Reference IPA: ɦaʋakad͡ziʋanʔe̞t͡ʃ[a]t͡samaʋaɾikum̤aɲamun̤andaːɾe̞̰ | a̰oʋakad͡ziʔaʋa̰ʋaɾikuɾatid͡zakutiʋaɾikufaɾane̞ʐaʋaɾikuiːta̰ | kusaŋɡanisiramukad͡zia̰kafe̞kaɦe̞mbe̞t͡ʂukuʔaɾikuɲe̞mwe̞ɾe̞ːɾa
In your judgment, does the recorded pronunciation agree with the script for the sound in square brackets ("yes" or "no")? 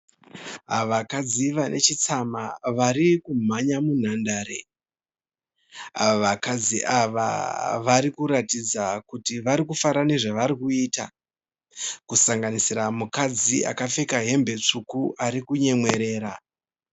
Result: no